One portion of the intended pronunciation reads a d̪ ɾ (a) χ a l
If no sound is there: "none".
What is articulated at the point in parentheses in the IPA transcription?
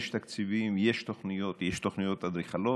i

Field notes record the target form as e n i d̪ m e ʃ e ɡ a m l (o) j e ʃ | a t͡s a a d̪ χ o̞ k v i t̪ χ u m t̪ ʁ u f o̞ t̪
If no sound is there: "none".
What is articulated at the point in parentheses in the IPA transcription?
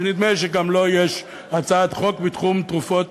o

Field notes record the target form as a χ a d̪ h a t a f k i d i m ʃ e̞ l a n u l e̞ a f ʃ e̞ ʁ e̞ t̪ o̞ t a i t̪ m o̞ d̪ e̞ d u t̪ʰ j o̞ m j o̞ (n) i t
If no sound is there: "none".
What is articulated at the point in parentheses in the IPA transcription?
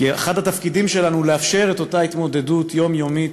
m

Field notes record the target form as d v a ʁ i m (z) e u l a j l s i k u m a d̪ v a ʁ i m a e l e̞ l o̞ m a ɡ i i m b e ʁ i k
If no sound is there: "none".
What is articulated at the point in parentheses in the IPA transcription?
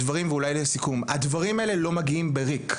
v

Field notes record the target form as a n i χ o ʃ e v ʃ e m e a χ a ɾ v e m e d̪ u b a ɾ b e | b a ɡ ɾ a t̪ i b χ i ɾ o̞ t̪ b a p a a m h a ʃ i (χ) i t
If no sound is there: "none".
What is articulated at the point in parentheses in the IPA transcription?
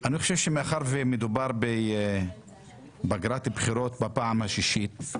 ʃ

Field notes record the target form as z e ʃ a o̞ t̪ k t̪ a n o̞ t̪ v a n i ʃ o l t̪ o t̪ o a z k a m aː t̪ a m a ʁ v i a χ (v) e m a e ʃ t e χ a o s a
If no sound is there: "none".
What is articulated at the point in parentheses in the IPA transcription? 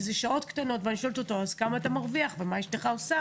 v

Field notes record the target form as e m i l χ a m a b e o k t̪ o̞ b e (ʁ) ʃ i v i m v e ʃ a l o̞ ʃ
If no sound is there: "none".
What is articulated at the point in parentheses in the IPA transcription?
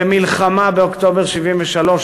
ʁ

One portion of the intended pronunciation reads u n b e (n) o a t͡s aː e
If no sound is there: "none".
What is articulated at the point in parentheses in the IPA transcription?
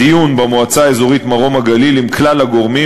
m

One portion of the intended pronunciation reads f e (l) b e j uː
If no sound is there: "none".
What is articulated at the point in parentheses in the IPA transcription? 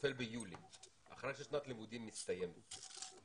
l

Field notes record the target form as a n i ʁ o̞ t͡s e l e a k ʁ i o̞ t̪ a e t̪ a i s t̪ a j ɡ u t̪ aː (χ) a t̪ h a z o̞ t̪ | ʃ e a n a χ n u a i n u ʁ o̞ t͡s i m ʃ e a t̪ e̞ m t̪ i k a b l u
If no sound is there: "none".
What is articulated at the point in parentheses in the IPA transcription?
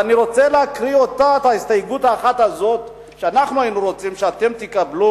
χ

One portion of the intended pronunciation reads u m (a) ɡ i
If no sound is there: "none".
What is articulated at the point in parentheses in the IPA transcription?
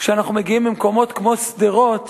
e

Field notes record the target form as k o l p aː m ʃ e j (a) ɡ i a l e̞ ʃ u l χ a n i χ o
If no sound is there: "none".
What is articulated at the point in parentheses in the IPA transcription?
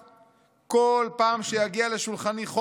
a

